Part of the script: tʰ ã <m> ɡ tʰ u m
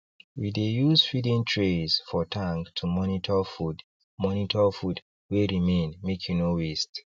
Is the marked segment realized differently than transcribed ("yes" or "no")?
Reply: yes